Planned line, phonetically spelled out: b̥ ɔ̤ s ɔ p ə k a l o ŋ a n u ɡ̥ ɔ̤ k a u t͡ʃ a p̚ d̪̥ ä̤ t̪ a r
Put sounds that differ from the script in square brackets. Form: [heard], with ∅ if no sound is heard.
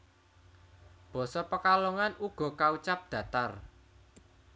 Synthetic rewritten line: b̥ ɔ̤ s ɔ p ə k a l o ŋ a n u ɡ̥ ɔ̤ k a u t͡ʃ a p̚ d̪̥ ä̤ t̪ a r